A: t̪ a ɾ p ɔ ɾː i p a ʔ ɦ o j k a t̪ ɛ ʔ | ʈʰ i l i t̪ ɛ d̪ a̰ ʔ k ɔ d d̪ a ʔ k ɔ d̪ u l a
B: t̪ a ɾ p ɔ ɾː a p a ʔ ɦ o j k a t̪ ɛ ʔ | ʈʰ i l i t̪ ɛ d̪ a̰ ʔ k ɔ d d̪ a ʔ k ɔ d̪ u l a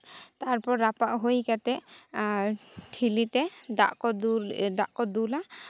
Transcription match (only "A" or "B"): B